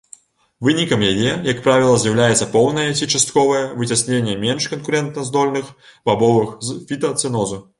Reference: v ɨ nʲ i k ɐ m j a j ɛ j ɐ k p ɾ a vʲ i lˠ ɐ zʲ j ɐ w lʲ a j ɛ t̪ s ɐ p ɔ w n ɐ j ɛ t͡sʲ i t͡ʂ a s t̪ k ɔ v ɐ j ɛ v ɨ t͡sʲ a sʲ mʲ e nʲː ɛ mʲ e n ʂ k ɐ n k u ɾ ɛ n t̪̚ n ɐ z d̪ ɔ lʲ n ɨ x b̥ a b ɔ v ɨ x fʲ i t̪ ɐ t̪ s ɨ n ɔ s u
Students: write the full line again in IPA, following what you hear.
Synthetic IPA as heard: v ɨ nʲ i k ɐ m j a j ɛ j ɐ k p ɾ a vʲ i lˠ ɐ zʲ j ɐ w lʲ a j ɛ t̪ s ɐ p ɔ w n ɐ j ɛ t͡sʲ i t͡ʂ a s t̪ k ɔ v ɐ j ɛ v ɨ t͡sʲ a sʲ nʲ e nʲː ɛ mʲ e n ʂ k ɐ n k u ɾ ɛ n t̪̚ n ɐ z d̪ ɔ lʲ n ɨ x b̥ a b ɔ v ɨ x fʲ i t̪ ɐ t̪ s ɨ n ɔ z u